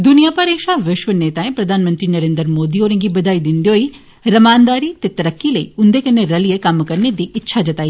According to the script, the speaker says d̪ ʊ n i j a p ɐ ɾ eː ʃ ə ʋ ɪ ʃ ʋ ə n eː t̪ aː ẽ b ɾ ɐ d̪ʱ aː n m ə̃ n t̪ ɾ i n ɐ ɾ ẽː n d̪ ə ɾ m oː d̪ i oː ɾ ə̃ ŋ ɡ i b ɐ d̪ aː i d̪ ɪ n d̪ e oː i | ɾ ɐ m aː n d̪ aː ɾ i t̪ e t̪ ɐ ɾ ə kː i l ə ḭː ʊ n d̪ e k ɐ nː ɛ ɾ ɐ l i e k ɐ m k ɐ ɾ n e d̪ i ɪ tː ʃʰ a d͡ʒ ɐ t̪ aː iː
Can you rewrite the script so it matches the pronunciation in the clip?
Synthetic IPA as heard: d̪ ʊ n i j a p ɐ ɾ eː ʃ a ʋ ɪ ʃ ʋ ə n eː t̪ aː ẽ p ɾ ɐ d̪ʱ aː n m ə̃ n t̪ ɾ i n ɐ ɾ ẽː n d̪ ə ɾ m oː d̪ i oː ɾ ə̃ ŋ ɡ i b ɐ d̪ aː i d̪ ɪ n d̪ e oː i | ɾ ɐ m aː n d̪ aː ɾ i t̪ e t̪ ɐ ɾ ə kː i l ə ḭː ʊ n d̪ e k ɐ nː e ɾ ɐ l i e k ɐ m k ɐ ɾ n e d̪ i ɪ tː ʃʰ a d͡ʒ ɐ t̪ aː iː